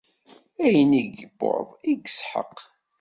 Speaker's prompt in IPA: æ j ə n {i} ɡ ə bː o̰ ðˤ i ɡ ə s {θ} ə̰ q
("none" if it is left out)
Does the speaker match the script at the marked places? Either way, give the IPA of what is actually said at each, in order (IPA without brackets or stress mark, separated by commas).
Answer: i, ħ